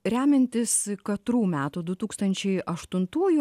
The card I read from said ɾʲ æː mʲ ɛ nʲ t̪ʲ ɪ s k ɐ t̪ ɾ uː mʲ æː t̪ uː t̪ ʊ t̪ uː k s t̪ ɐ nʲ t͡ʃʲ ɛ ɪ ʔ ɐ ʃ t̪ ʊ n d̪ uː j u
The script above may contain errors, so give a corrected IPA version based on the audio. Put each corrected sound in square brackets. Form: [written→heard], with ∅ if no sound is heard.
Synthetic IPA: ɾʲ æː mʲ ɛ nʲ t̪ʲ ɪ s k ɐ t̪ ɾ uː mʲ æː t̪ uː [t̪→d̪] ʊ t̪ uː k s t̪ ɐ nʲ t͡ʃʲ ɛ ɪ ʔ ɐ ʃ t̪ ʊ n [d̪→t̪] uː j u